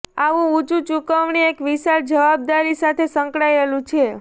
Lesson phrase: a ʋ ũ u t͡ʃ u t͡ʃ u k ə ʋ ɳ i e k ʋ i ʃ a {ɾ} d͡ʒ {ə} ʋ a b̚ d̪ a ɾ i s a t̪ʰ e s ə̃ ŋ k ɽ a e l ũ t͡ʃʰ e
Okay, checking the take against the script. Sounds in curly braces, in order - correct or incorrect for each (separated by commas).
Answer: correct, correct